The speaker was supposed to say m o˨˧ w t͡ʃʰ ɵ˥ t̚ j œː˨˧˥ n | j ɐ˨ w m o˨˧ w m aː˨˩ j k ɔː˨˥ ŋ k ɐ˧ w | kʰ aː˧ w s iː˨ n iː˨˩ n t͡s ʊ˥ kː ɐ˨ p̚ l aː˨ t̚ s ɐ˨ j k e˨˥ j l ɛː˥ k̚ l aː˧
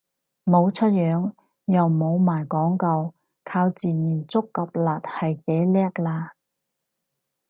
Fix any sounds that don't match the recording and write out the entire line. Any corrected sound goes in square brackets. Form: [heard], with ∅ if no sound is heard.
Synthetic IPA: m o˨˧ w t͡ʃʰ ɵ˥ t̚ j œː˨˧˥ [ŋ] | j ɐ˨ w m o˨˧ w m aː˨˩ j k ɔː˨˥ ŋ k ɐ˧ w | kʰ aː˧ w [t͡s] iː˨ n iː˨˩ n t͡s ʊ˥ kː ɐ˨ p̚ l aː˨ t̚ [h] ɐ˨ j k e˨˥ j l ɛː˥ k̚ l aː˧